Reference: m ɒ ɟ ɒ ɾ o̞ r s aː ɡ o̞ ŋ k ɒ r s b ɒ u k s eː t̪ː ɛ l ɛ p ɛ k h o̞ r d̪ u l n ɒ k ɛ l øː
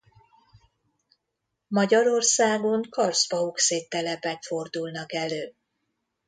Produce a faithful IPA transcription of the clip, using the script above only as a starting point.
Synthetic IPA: m ɒ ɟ ɒ ɾ o̞ r s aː ɡ o̞ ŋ k ɒ r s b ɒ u k s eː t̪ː ɛ l ɛ p ɛ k f o̞ r d̪ u l n ɒ k ɛ l øː